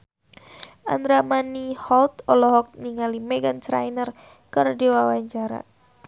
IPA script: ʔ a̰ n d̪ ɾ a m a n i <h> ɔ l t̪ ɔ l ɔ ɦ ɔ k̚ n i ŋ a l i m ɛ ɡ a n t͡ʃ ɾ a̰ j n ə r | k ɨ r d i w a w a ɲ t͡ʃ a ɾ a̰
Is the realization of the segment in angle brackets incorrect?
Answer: no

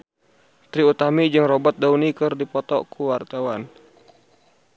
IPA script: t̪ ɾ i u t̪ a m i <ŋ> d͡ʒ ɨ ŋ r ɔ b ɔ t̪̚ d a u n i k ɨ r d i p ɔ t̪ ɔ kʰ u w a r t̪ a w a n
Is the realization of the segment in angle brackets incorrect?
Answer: yes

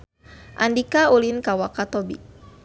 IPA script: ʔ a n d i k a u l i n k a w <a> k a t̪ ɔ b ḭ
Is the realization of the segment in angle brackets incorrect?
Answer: no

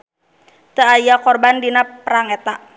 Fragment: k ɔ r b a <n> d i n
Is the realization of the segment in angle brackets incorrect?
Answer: no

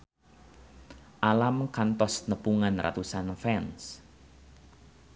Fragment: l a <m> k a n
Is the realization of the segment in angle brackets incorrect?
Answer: no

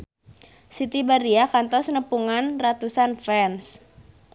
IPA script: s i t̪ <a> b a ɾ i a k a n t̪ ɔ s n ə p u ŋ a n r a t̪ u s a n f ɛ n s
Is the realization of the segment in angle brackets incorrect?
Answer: yes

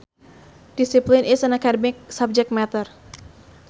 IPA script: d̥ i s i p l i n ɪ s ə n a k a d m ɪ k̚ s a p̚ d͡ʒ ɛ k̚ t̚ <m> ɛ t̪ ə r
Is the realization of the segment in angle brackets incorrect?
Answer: no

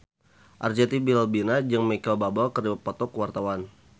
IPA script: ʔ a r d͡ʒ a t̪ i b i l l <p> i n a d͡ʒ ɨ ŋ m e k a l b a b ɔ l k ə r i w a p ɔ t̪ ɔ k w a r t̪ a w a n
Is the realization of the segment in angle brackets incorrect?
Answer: yes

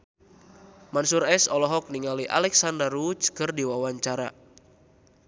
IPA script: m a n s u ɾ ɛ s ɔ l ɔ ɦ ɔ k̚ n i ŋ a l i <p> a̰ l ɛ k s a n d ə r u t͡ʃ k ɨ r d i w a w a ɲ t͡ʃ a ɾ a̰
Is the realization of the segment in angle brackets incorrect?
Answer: yes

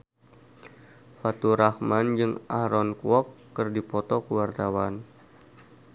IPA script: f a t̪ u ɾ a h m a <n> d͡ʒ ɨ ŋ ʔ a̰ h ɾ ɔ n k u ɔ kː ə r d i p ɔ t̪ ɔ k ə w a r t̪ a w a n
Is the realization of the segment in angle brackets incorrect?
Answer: no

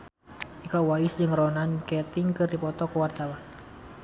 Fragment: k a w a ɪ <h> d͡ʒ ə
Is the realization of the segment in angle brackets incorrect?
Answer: yes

